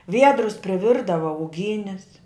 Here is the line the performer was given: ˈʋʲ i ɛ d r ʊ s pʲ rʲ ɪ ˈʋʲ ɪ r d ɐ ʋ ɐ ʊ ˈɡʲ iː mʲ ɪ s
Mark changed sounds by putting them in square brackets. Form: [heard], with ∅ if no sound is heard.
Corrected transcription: ˈʋʲ i ɛ d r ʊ s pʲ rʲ ɪ ˈʋʲ ɪ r d ɐ ʋ ɐ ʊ ˈɡʲ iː [nʲ] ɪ s

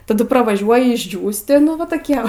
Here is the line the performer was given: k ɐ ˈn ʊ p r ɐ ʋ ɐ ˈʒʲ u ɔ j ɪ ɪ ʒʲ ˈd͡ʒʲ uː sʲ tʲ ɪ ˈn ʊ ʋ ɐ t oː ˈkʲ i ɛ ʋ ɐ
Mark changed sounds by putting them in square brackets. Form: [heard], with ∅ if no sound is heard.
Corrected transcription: [t] ɐ [ˈd] ʊ p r ɐ ʋ ɐ ˈʒʲ u ɔ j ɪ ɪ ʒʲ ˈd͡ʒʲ uː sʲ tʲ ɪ ˈn ʊ ʋ ɐ t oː ˈkʲ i ɛ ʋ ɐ

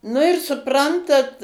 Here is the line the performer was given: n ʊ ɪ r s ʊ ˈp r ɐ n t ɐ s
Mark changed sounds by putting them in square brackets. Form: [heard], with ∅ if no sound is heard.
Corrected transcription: n ʊ ɪ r s ʊ ˈp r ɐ n t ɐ [t]

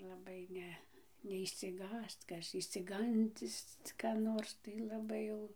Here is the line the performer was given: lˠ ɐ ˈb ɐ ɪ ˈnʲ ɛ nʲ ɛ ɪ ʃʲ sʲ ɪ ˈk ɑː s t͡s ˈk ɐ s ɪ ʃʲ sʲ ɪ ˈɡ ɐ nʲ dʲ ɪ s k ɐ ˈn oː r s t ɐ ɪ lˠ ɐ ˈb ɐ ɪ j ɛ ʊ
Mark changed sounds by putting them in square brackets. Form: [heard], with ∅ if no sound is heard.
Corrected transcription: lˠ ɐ ˈb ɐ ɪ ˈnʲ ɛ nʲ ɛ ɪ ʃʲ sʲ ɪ [ˈɡ] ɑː s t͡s ˈk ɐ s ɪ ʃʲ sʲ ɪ ˈɡ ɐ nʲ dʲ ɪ s k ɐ ˈn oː r s t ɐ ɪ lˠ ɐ ˈb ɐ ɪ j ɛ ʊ

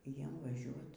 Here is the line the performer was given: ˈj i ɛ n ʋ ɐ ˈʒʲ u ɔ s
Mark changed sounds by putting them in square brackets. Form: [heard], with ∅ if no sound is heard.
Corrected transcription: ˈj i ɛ [m] ʋ ɐ ˈʒʲ u ɔ [t]

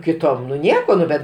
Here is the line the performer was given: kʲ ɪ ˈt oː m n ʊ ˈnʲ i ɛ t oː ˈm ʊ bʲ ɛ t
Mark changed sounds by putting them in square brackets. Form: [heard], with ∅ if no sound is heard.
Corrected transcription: kʲ ɪ ˈt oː m n ʊ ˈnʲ i ɛ [k] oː [ˈn] ʊ bʲ ɛ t

